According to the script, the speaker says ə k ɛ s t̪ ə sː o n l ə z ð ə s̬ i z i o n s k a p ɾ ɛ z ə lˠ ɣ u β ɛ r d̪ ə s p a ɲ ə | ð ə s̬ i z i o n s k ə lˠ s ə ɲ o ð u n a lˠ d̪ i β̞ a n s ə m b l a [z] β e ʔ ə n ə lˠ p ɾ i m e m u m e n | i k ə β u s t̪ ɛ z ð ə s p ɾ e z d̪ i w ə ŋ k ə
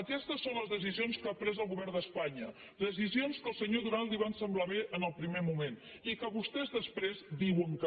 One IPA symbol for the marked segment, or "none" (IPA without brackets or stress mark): none